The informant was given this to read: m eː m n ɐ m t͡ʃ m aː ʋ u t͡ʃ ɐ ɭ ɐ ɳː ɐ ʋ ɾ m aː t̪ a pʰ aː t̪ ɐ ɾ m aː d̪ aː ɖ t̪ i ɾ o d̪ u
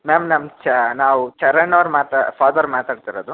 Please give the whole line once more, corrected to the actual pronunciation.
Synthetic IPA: m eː m n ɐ m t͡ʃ n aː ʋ u t͡ʃ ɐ ɾ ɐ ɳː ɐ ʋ ɾ m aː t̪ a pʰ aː d̪ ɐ ɾ m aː t̪ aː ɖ t̪ i ɾ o d̪ u